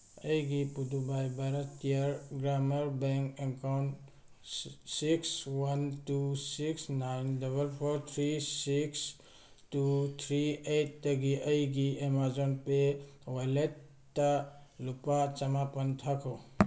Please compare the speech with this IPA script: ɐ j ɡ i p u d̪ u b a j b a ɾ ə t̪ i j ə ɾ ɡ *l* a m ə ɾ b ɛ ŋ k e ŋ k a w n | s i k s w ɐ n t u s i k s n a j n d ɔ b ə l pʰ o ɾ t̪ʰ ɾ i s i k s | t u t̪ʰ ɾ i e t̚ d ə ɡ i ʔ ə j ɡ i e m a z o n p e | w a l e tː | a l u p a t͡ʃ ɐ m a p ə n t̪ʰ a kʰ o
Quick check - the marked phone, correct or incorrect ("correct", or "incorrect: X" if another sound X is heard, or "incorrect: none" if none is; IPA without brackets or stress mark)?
incorrect: ɾ